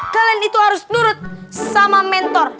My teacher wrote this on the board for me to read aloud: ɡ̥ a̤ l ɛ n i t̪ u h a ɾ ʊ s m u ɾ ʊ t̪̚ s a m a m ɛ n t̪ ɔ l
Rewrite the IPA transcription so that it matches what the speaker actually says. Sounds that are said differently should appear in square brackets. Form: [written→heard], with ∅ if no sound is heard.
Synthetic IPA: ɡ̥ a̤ l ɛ n i t̪ u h a ɾ ʊ s [m→n] u ɾ ʊ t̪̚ s a m a m ɛ n t̪ ɔ [l→r]